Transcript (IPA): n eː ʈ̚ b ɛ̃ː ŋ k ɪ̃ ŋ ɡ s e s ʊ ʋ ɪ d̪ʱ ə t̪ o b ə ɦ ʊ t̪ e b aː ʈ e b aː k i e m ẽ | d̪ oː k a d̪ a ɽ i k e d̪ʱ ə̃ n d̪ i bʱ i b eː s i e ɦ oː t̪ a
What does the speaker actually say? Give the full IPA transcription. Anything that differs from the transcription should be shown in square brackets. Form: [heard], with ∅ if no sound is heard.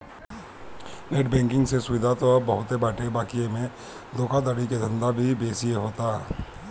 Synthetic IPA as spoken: n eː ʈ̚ b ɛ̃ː ŋ k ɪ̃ ŋ ɡ s e s ʊ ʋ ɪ d̪ʱ [a] t̪ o b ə ɦ ʊ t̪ e b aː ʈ e b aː k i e m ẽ | d̪ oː k a d̪ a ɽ i k e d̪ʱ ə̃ n d̪ [a] bʱ i b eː s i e ɦ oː t̪ a